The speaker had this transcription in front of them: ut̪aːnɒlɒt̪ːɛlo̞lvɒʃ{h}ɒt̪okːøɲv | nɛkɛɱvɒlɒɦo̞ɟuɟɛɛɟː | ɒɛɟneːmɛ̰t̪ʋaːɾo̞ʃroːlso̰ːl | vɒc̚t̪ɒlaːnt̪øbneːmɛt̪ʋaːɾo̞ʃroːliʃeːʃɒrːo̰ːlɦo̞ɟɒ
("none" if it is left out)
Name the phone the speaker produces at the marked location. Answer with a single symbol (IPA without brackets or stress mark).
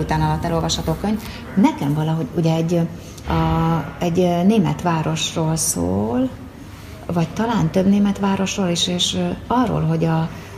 h